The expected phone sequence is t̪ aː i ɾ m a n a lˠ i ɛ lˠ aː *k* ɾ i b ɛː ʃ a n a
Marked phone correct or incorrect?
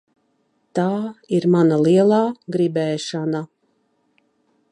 incorrect